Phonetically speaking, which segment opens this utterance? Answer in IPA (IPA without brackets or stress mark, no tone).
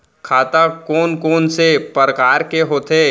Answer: kʰ